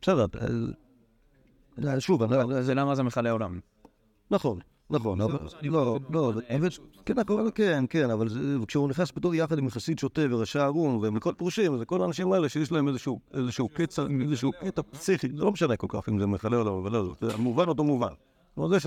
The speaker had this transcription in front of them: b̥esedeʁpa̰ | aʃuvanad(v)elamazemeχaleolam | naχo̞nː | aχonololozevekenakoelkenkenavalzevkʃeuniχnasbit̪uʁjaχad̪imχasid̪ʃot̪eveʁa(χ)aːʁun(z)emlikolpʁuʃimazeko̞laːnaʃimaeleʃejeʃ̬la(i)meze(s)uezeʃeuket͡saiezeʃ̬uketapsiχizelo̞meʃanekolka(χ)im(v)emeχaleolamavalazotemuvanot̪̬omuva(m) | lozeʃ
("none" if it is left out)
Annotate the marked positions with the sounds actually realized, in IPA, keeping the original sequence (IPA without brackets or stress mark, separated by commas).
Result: z, ʃ, v, e, ʃ, χ, z, n